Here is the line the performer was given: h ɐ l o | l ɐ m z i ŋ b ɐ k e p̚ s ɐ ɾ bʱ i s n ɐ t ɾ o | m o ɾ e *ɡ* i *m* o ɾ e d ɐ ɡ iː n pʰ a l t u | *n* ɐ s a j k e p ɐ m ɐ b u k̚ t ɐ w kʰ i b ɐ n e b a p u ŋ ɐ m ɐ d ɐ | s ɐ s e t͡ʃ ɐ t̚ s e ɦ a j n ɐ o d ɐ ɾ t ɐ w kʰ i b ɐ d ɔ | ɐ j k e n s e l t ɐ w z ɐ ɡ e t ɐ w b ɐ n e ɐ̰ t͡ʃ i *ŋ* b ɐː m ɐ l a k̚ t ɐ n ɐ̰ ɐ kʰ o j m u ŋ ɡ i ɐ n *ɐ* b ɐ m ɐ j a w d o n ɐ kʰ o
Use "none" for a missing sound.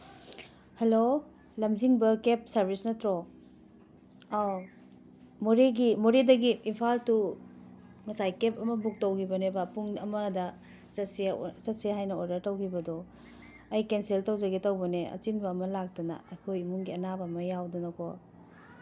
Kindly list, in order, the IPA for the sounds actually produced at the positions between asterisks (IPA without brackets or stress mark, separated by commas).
ɡ, m, ŋ, n, a